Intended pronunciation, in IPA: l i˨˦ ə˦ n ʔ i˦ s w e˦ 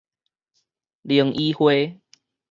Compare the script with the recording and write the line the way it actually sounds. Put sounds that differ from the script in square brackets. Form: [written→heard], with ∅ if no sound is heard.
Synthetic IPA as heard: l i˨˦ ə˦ [n→ŋ] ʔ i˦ [s→h] w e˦